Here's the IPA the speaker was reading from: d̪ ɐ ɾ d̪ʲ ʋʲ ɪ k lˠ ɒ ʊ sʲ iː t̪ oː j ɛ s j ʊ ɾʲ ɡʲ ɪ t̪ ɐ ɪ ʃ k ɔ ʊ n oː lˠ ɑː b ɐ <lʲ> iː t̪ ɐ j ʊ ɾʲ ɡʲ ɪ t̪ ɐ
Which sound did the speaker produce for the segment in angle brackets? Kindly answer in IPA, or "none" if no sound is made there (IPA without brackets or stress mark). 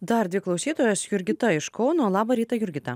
ɾʲ